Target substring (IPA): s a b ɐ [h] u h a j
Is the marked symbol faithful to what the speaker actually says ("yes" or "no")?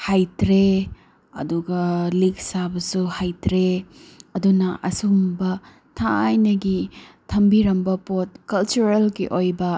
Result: no